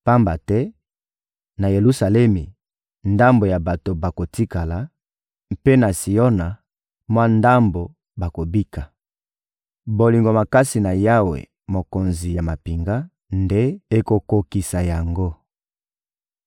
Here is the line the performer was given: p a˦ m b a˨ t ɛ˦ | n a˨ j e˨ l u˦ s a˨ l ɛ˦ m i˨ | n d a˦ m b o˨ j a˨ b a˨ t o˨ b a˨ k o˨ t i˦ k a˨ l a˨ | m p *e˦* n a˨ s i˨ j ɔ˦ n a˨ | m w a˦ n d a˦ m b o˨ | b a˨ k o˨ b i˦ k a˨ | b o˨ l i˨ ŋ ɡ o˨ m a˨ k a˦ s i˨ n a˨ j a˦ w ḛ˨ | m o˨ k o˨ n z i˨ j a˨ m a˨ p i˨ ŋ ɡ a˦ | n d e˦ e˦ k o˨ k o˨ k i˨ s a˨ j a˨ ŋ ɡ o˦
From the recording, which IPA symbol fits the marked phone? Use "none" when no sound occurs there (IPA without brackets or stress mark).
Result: e˦